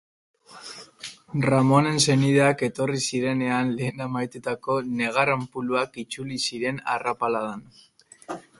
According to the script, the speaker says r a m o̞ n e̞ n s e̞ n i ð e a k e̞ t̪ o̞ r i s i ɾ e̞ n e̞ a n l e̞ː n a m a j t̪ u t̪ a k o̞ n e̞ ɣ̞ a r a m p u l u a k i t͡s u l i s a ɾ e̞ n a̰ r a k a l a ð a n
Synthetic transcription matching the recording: r a m o̞ n e̞ n s e̞ n i ð e a k e̞ t̪ o̞ r i s i ɾ e̞ n e̞ a n l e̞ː n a m a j t̪ u t̪ a k o̞ n e̞ ɣ̞ a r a m p u l u a k i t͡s u l i s i ɾ e̞ n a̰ r a p a l a ð a n

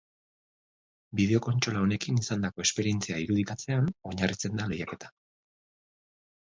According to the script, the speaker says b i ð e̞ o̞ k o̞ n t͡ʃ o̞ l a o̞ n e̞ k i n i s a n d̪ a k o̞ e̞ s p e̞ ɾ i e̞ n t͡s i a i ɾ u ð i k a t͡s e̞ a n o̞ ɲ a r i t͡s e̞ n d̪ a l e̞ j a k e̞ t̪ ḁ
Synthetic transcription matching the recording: b i ð e̞ o̞ k o̞ n t͡ʃ o̞ l a o̞ n e̞ k i n i s a n d̪ a k o̞ e̞ s p e̞ ɾ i e̞ n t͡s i a i ɾ u ð i k a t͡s e̞ a n o̞ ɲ a r i t͡s e̞ n d̪ a l e̞ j a k e̞ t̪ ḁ

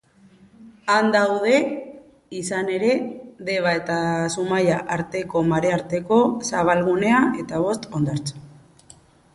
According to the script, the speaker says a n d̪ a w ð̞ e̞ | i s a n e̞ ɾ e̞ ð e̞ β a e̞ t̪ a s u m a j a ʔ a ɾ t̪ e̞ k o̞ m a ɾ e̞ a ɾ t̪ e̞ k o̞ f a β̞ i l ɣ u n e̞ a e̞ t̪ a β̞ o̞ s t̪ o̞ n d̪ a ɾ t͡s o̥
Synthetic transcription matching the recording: a n d̪ a w ð̞ e̞ | i s a n e̞ ɾ e̞ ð e̞ β a e̞ t̪ a s u m a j a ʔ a ɾ t̪ e̞ k o̞ m a ɾ e̞ a ɾ t̪ e̞ k o̞ s a β̞ a l ɣ u n e̞ a e̞ t̪ a β̞ o̞ s t̪ o̞ n d̪ a ɾ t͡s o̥

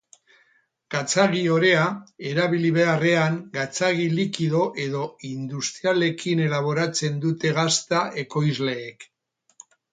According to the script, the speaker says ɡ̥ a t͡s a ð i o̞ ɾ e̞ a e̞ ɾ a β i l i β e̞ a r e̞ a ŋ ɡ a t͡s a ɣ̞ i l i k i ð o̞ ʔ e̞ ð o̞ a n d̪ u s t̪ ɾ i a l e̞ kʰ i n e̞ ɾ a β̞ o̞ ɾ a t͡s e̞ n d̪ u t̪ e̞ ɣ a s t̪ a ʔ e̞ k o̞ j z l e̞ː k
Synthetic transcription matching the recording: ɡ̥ a t͡s a ɣ i o̞ ɾ e̞ a e̞ ɾ a β i l i β e̞ a r e̞ a ŋ ɡ a t͡s a ɣ̞ i l i k i ð o̞ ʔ e̞ ð o̞ i n d̪ u s t̪ ɾ i a l e̞ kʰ i n e̞ l a β̞ o̞ ɾ a t͡s e̞ n d̪ u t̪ e̞ ɣ a s t̪ a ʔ e̞ k o̞ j z l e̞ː k

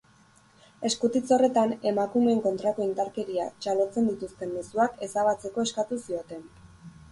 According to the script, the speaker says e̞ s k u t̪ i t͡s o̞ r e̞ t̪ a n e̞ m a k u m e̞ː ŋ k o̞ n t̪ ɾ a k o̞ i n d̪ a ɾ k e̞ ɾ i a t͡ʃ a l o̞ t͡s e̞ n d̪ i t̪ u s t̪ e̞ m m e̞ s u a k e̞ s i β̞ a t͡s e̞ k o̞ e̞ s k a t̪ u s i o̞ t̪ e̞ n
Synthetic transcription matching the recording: e̞ s k u t̪ i t͡s o̞ r e̞ t̪ a n e̞ m a k u m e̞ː ŋ k o̞ n t̪ ɾ a k o̞ i n d̪ a ɾ k e̞ ɾ i a t͡ʃ a l o̞ t͡s e̞ n d̪ i t̪ u s t̪ e̞ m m e̞ s u a k e̞ s a β̞ a t͡s e̞ k o̞ e̞ s k a t̪ u s i o̞ t̪ e̞ n

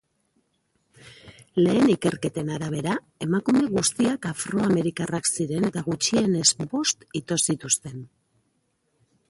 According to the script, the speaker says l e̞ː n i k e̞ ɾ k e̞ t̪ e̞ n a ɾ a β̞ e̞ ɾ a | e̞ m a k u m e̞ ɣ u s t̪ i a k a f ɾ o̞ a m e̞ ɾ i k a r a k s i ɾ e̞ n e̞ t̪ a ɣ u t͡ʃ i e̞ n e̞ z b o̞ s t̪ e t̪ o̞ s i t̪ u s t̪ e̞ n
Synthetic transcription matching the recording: l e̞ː n i k e̞ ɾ k e̞ t̪ e̞ n a ɾ a β̞ e̞ ɾ a | e̞ m a k u m e̞ ɣ u s t̪ i a k a f ɾ o̞ a m e̞ ɾ i k a r a k s i ɾ e̞ n e̞ t̪ a ɣ u t͡ʃ i e̞ n e̞ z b o̞ s t̪ i t̪ o̞ s i t̪ u s t̪ e̞ n

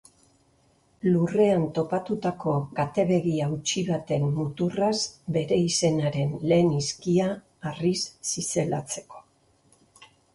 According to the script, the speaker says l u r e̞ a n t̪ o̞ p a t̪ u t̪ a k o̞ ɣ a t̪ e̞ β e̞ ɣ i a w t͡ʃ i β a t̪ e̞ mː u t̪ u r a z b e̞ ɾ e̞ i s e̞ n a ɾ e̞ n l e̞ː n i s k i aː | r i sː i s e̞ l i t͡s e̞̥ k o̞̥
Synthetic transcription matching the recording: l u r e̞ a n t̪ o̞ p a t̪ u t̪ a k o̞ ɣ a t̪ e̞ β e̞ ɣ i a w t͡ʃ i β a t̪ e̞ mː u t̪ u r a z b e̞ ɾ e̞ i s e̞ n a ɾ e̞ n l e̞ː n i s k i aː | r i sː i s e̞ l a t͡s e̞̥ k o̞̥

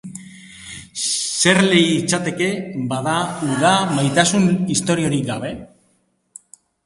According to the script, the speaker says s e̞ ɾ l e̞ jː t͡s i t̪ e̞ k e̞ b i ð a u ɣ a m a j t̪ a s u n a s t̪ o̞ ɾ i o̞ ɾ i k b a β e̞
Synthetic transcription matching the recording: s e̞ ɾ l e̞ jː t͡s a t̪ e̞ k e̞ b a ð a u ð a m a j t̪ a s u n i s t̪ o̞ ɾ i o̞ ɾ i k ɡ a β e̞

